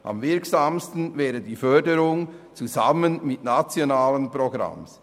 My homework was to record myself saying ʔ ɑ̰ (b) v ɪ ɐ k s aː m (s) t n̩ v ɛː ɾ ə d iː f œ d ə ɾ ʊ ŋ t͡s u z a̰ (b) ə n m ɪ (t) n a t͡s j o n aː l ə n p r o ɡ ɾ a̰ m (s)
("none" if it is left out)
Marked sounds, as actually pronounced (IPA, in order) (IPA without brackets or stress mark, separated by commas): m, s, m, t, s